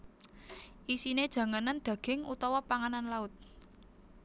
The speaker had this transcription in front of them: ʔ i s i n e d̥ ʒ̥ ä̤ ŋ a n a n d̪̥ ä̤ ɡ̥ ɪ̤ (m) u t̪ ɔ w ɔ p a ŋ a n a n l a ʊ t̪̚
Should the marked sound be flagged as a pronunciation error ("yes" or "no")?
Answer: yes